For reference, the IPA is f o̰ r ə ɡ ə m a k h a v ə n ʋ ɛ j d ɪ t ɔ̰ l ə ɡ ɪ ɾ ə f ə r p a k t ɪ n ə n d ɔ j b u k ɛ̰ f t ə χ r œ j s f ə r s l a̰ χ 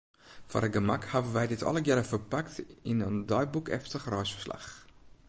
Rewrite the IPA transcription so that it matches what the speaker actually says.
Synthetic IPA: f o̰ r ə ɡ ə m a k h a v ə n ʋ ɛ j d ɪ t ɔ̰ l ə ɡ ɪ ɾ ə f ə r p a k t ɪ n ə n d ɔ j b u k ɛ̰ f t ə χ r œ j s f ə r s l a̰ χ